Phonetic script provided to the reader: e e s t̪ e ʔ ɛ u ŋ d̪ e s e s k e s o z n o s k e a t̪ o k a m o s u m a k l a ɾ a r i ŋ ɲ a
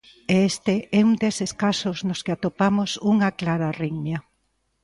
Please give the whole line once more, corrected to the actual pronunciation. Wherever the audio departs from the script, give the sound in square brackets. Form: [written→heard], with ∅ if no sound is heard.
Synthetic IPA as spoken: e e s t̪ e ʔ ɛ u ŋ d̪ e s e s k [e→a] s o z n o s k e a t̪ o [k→p] a m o s u [m→ŋ] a k l a ɾ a r i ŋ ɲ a